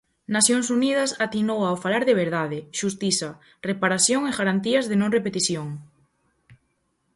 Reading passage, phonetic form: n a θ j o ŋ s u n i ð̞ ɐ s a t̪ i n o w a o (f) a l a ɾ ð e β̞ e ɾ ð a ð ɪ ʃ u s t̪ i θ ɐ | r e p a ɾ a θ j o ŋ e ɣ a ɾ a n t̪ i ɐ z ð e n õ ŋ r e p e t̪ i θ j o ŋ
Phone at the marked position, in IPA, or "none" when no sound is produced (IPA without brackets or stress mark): f